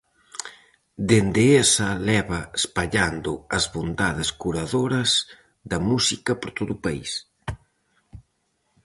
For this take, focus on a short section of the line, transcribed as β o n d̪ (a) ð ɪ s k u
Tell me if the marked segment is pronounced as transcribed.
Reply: yes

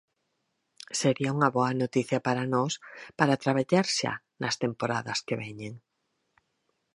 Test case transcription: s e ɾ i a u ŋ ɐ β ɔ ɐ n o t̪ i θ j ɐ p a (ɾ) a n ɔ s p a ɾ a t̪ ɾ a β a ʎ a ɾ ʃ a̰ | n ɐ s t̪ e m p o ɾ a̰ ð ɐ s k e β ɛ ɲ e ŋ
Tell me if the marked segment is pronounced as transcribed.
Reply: yes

